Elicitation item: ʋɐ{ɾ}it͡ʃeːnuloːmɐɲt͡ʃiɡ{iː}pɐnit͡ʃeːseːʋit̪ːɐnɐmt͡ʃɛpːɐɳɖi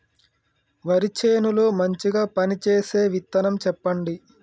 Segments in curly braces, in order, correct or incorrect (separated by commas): correct, incorrect